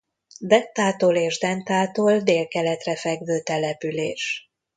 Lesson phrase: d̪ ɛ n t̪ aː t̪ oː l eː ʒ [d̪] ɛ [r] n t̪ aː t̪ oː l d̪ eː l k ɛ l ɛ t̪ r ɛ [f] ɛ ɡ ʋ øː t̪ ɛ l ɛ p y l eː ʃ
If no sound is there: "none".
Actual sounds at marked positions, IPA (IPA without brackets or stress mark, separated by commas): d̪, none, f